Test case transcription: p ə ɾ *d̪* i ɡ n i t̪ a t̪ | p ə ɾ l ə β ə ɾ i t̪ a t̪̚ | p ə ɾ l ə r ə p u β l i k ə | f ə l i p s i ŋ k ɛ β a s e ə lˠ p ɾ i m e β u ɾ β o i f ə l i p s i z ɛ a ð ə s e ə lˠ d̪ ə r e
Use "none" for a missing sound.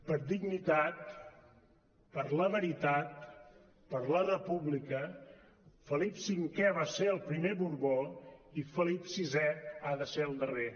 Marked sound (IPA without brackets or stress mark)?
d̪